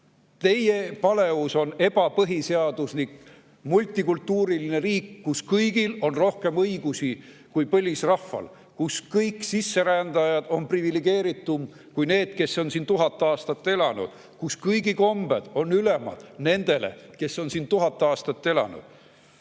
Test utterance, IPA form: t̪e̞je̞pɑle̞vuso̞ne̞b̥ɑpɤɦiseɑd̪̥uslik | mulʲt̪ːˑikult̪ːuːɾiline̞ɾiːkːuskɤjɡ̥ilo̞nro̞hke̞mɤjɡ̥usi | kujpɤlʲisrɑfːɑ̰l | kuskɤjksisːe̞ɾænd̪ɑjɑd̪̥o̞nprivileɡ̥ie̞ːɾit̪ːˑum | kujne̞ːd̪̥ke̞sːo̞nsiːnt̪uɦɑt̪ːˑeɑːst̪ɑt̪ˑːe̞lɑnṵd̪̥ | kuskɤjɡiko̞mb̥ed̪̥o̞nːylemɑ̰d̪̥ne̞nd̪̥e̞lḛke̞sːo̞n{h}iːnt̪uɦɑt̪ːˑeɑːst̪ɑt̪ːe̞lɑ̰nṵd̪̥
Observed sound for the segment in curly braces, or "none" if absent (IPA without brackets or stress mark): s